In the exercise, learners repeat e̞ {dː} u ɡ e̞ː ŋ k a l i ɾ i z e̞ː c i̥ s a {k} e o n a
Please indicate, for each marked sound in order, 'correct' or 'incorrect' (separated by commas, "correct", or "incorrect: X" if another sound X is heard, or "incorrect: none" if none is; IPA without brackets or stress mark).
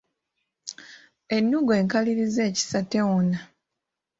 incorrect: nː, incorrect: t